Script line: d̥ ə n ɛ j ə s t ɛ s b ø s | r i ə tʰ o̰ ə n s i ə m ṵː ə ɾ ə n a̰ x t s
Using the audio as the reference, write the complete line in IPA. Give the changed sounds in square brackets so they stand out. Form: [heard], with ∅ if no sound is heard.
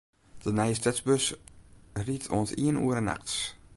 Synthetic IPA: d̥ ə n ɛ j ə s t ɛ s b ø s | r i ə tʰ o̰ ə n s i ə [n] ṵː ə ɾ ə n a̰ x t s